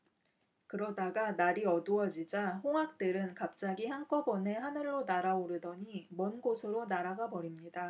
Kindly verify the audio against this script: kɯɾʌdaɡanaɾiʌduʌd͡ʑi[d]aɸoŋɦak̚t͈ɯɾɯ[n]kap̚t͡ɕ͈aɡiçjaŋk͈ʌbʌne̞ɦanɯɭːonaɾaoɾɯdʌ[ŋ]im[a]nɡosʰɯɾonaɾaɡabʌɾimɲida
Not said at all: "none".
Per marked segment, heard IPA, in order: d͡ʑ, n, ɲ, ʌ

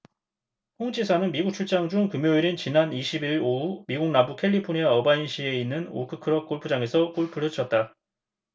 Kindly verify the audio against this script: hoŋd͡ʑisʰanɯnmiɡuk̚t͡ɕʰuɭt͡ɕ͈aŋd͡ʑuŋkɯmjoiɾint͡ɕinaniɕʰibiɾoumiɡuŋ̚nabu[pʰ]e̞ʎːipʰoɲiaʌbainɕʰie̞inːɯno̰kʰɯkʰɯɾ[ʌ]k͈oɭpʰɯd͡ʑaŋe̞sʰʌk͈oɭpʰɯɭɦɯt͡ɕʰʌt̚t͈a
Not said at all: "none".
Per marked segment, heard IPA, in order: kʰ, ʌ

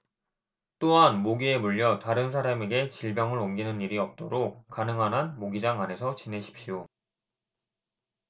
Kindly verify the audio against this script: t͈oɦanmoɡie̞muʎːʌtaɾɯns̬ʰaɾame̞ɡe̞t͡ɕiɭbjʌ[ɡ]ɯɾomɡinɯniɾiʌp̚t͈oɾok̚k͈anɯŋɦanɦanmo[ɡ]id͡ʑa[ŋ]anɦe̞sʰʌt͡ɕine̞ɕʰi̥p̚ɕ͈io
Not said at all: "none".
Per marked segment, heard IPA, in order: ŋ, ɡ, ŋ

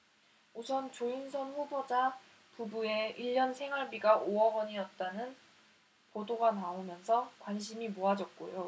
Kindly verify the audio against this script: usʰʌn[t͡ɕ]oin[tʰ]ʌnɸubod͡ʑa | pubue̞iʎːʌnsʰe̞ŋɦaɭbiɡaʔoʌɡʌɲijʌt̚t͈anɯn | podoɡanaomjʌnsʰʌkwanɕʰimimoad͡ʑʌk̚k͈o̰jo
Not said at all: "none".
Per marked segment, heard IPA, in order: t͡ɕ, sʰ

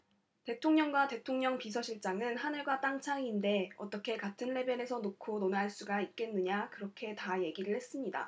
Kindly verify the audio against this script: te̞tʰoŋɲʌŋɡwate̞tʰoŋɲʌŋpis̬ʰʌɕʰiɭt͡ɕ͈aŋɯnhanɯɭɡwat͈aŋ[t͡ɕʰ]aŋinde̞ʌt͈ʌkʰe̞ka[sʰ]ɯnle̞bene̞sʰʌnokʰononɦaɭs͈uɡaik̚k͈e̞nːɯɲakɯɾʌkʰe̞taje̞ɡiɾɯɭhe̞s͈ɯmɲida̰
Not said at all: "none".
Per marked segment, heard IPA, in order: t͡ɕʰ, tʰ

